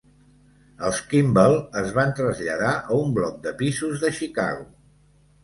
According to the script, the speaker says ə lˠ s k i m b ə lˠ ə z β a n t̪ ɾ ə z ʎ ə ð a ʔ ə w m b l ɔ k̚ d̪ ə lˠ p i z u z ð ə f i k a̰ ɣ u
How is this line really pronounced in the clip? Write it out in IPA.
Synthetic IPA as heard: ə lˠ s k i m b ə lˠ ə z β a n t̪ ɾ ə z ʎ ə ð a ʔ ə u m b l ɔ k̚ d̪ ə p i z u z ð ə ʃ i k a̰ ɣ u